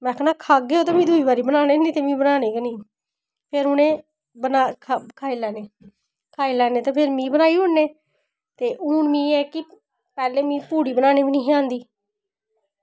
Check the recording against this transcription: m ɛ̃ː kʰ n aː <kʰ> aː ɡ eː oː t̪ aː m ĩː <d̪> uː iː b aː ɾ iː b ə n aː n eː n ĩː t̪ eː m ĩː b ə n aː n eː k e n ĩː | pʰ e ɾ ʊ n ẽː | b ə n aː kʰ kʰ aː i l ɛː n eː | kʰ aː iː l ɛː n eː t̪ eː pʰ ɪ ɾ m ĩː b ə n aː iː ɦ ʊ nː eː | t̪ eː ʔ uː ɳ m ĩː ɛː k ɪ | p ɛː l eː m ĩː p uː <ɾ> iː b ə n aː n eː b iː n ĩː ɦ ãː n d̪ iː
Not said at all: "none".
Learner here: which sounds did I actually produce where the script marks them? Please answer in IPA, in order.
kʰ, d̪, ɽ

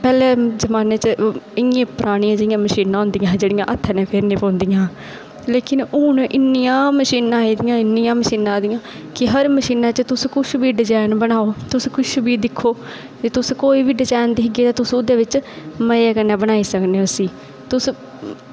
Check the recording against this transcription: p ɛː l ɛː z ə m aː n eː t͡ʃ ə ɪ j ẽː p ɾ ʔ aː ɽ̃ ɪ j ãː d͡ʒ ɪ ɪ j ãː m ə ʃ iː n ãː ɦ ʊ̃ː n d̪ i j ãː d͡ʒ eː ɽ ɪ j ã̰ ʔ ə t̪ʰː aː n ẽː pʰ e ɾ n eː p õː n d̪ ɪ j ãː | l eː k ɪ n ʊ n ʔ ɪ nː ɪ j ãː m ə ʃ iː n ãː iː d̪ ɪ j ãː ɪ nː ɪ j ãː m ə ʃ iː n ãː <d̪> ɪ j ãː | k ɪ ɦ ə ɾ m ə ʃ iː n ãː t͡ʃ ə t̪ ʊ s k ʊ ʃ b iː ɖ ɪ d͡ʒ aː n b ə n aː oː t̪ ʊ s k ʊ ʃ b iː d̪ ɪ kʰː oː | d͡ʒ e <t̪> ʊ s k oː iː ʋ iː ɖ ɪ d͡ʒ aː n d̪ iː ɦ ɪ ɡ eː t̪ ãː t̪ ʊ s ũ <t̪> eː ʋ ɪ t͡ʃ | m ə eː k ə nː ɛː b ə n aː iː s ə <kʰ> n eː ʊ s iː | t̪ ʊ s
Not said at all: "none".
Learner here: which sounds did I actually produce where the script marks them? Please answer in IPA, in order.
d̪, t̪, d̪, k

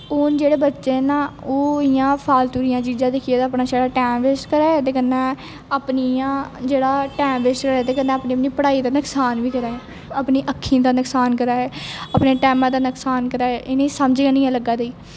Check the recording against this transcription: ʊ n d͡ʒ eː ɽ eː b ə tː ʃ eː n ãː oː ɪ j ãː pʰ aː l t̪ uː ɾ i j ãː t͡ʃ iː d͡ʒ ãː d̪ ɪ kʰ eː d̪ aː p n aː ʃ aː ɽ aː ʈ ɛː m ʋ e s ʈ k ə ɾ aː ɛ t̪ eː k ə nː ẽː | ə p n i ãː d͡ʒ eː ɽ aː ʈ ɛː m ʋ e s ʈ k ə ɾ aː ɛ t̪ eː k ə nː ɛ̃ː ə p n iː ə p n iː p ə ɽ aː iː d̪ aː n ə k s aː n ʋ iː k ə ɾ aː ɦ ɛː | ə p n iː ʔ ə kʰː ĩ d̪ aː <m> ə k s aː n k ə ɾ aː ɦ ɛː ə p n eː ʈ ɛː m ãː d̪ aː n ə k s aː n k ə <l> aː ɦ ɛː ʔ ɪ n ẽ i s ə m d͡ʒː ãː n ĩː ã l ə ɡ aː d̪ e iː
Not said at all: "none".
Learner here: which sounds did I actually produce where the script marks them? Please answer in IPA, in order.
n, ɾ

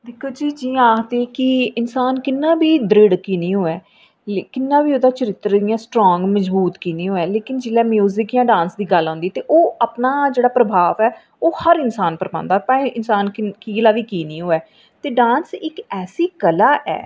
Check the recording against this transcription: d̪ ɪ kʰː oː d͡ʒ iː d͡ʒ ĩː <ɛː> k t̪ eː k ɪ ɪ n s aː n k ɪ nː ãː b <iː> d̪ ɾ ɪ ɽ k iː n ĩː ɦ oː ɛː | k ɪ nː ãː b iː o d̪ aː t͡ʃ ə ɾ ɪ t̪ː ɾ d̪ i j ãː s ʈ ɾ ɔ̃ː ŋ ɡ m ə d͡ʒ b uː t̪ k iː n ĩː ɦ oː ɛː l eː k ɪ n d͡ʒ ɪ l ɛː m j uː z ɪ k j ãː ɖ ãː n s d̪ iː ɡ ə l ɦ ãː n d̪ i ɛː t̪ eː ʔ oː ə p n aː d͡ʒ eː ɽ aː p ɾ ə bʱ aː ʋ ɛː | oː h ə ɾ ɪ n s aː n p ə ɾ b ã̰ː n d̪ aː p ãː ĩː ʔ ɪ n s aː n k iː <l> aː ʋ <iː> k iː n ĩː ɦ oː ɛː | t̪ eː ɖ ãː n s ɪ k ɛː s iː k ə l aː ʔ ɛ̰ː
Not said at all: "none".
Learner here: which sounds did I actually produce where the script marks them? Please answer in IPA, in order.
aː, iː, l, iː

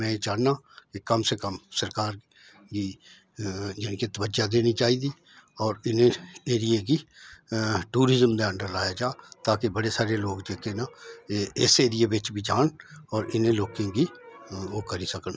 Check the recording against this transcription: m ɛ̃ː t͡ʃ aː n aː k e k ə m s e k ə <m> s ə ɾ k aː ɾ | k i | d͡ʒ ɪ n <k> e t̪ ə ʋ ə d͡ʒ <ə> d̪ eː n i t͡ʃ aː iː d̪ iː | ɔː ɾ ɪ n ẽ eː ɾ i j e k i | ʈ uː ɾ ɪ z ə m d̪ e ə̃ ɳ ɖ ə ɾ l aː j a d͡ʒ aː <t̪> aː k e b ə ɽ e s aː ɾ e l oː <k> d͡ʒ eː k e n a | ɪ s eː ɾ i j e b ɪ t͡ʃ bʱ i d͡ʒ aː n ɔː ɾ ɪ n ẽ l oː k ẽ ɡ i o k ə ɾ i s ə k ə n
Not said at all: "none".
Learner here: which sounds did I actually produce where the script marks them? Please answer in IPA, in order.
m, k, a, t̪, ɡ

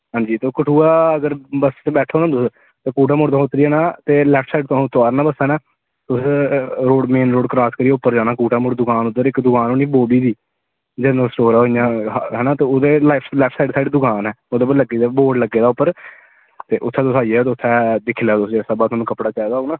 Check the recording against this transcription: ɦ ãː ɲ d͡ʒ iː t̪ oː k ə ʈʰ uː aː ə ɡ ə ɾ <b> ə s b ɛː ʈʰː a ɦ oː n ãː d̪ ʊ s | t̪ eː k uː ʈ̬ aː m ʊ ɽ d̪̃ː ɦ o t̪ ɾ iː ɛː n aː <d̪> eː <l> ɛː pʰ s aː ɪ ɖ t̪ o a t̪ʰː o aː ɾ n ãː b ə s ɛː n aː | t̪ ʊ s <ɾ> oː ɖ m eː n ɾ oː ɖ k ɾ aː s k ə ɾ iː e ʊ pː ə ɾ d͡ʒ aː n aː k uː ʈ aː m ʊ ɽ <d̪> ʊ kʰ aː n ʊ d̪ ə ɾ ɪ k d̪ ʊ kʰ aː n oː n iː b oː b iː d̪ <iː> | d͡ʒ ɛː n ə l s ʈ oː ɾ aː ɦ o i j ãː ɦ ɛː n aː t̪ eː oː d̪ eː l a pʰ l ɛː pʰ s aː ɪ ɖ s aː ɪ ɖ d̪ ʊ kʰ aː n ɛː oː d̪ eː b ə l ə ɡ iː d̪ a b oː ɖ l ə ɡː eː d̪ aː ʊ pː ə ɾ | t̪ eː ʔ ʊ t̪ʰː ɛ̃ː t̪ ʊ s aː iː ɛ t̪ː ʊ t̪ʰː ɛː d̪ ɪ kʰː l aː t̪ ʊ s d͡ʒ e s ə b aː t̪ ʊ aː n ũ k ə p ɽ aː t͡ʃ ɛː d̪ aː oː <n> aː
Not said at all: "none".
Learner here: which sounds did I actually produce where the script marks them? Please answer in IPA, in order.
b, t̪, l, ɾ, d̪, iː, n

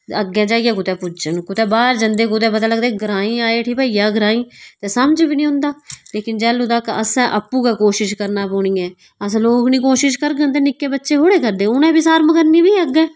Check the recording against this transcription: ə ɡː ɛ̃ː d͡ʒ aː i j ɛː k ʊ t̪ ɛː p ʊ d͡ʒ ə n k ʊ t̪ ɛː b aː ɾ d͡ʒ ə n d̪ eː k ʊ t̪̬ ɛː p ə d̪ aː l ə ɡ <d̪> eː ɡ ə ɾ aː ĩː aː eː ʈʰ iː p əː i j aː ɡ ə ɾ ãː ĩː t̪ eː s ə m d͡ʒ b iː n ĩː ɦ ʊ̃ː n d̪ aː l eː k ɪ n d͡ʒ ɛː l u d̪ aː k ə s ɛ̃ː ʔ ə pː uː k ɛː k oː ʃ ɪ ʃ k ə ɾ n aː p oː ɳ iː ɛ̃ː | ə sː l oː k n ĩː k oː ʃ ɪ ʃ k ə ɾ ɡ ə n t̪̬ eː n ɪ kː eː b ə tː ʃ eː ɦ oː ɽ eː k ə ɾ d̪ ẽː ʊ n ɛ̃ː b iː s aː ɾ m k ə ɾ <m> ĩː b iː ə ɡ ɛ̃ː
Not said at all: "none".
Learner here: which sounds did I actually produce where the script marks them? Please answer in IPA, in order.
d̪, n

